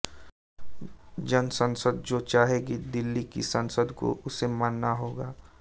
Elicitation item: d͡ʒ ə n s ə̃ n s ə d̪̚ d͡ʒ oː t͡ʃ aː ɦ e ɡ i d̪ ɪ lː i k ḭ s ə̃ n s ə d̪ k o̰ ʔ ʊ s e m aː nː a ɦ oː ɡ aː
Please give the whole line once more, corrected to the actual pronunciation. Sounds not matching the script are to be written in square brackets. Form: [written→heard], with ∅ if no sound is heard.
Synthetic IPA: d͡ʒ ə n s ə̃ n s ə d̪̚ d͡ʒ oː t͡ʃ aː ɦ e ɡ i d̪ ɪ lː i k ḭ s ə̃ n s ə d̪ k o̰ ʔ ʊ s e m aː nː a ɦ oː ɡ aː